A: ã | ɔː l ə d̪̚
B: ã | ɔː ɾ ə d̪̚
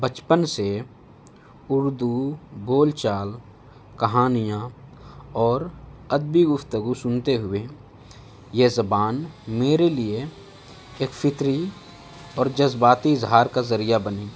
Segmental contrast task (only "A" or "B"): B